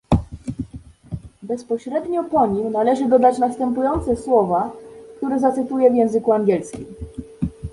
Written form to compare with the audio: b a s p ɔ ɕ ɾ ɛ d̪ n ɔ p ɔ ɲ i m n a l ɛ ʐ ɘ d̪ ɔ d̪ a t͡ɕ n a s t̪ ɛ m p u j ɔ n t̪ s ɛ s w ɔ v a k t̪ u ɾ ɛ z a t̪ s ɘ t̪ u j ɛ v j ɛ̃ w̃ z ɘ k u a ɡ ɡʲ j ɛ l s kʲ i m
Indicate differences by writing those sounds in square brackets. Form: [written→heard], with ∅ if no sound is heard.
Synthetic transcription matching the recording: b [a→ɛ] s p ɔ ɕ ɾ ɛ d̪ [n→ɲ] ɔ p ɔ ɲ i m n a l ɛ ʐ ɘ d̪ ɔ d̪ a t͡ɕ n a s t̪ ɛ m p u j ɔ n t̪ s ɛ s w ɔ v a k t̪ u ɾ ɛ z a t̪ s ɘ t̪ u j ɛ v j ɛ̃ w̃ z ɘ k u a [ɡ→ŋ] ɡʲ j ɛ l s kʲ i m

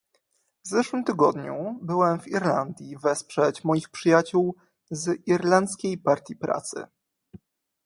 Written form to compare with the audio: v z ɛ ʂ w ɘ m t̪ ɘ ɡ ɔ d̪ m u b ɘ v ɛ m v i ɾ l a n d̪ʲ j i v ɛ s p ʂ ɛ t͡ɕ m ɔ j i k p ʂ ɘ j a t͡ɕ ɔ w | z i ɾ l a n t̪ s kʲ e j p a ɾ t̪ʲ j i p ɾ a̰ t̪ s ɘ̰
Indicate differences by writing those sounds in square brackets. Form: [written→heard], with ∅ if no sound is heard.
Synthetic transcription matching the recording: v z ɛ ʂ w ɘ m t̪ ɘ ɡ ɔ d̪ [m→ɲ] u b ɘ [v→w] ɛ m v i ɾ l a n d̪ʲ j i v ɛ s p ʂ ɛ t͡ɕ m ɔ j i [k→x] p ʂ ɘ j a t͡ɕ [ɔ→u] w | z i ɾ l a n t̪ s kʲ e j p a ɾ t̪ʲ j i p ɾ a̰ t̪ s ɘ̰

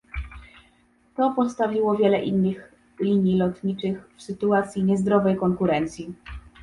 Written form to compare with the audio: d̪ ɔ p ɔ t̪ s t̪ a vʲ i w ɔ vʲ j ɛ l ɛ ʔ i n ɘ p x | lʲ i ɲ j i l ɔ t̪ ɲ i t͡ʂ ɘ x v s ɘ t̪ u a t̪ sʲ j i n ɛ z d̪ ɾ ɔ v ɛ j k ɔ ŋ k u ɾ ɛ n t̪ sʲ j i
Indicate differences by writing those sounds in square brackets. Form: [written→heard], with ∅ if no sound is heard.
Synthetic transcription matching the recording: [d̪→t̪] ɔ p ɔ t̪ s t̪ a vʲ i w ɔ vʲ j ɛ l ɛ ʔ i [n→nː] ɘ [p→∅] x | lʲ i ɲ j i l ɔ t̪ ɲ i t͡ʂ ɘ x [v→f] s ɘ t̪ u a t̪ sʲ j i [n→ɲ] ɛ z d̪ ɾ ɔ v ɛ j k ɔ ŋ k u ɾ ɛ n t̪ sʲ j i

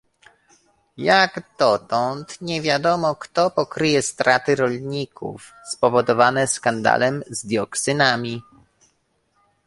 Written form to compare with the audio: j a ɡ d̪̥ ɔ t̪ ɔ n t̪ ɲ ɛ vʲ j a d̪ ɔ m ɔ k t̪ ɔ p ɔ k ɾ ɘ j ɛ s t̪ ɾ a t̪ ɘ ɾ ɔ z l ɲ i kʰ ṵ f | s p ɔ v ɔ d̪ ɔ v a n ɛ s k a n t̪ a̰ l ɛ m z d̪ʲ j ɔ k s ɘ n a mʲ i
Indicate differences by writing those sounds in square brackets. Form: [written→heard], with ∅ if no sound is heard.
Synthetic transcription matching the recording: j a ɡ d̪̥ ɔ t̪ ɔ n t̪ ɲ ɛ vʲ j a d̪ ɔ m ɔ k t̪ ɔ p ɔ k ɾ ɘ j ɛ s t̪ ɾ a t̪ ɘ ɾ ɔ [z→∅] l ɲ i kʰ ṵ f | s p ɔ v ɔ d̪ ɔ v a n ɛ s k a n [t̪→d̪] a̰ l ɛ m z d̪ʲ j ɔ k s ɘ n a mʲ i

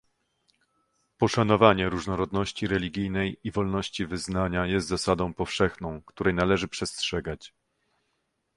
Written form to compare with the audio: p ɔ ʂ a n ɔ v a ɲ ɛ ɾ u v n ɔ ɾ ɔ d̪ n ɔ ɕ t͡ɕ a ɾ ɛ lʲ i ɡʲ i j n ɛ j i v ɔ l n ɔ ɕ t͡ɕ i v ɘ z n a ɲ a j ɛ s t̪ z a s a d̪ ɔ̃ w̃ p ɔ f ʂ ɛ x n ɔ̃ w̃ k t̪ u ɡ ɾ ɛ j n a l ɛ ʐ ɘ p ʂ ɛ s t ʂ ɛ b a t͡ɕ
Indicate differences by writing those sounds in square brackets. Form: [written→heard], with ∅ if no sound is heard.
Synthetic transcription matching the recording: p ɔ ʂ a n ɔ v a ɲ ɛ ɾ u [v→ʐ] n ɔ ɾ ɔ d̪ n ɔ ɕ t͡ɕ [a→i] ɾ ɛ lʲ i ɡʲ i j n ɛ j i v ɔ l n ɔ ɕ t͡ɕ i v ɘ z n a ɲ a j ɛ s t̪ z a s a d̪ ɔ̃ w̃ p ɔ f ʂ ɛ x n ɔ̃ w̃ k t̪ u [ɡ→∅] ɾ ɛ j n a l ɛ ʐ ɘ p ʂ ɛ s t ʂ ɛ [b→ɡ] a t͡ɕ

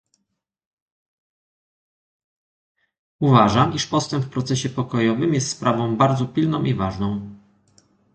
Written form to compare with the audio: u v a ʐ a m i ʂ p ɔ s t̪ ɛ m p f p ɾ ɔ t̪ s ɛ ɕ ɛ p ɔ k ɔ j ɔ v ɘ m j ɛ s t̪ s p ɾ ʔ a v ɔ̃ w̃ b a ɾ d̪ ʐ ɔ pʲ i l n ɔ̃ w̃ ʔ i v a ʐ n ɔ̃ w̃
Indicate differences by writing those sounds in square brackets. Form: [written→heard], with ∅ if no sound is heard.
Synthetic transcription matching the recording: u v a ʐ a m i ʂ p ɔ s t̪ ɛ m p f p ɾ ɔ t̪ s ɛ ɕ ɛ p ɔ k ɔ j ɔ v ɘ m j ɛ s t̪ s p ɾ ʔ a v ɔ̃ w̃ b a ɾ d̪ [ʐ→z] ɔ pʲ i l n ɔ̃ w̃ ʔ i v a ʐ n ɔ̃ w̃

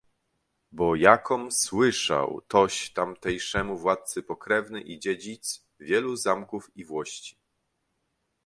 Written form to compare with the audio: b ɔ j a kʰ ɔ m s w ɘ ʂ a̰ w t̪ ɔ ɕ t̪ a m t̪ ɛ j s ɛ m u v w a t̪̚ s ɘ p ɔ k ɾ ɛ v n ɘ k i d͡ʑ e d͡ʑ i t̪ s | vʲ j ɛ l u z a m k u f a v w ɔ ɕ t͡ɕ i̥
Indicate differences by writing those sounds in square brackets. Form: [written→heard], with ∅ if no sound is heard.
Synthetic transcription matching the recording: b ɔ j a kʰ ɔ m s w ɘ ʂ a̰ w t̪ ɔ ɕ t̪ a m t̪ ɛ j [s→ʂ] ɛ m u v w a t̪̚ s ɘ p ɔ k ɾ ɛ v n ɘ [k→ʔ] i d͡ʑ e d͡ʑ i t̪ s | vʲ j ɛ l u z a m k u f [a→i] v w ɔ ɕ t͡ɕ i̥

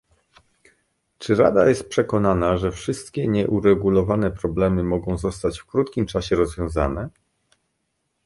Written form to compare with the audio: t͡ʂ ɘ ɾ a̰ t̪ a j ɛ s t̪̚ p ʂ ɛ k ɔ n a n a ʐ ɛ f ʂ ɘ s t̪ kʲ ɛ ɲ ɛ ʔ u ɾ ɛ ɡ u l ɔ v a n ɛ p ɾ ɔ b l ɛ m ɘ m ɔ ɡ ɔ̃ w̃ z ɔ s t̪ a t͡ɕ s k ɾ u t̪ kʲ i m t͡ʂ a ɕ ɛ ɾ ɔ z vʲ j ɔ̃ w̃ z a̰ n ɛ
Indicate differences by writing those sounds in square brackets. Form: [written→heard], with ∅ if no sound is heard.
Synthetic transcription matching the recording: t͡ʂ ɘ ɾ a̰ [t̪→d̪] a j ɛ s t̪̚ p ʂ ɛ k ɔ n a n a ʐ ɛ f ʂ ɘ s t̪ kʲ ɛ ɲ ɛ ʔ u ɾ ɛ ɡ u l ɔ v a n ɛ p ɾ ɔ b l ɛ m ɘ m ɔ ɡ ɔ̃ w̃ z ɔ s t̪ a t͡ɕ [s→f] k ɾ u t̪ kʲ i m t͡ʂ a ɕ ɛ ɾ ɔ z vʲ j ɔ̃ w̃ z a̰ n ɛ

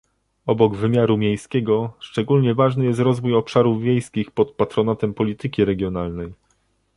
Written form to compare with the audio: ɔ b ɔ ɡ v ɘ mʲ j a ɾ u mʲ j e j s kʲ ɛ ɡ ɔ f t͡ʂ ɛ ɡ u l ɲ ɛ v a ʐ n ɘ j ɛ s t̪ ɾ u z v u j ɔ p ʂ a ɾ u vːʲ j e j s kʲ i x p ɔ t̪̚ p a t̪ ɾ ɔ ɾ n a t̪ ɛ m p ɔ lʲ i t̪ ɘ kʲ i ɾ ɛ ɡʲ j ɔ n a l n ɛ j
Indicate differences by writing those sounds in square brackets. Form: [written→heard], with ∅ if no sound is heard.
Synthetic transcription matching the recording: ɔ b ɔ ɡ v ɘ mʲ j a ɾ u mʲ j e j s kʲ ɛ ɡ ɔ [f→ʂ] t͡ʂ ɛ ɡ u l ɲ ɛ v a ʐ n ɘ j ɛ s t̪ ɾ [u→ɔ] z v u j ɔ p ʂ a ɾ u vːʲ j e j s kʲ i x p ɔ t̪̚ p a t̪ ɾ ɔ [ɾ→∅] n a t̪ ɛ m p ɔ lʲ i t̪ ɘ kʲ i ɾ ɛ ɡʲ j ɔ n a l n ɛ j

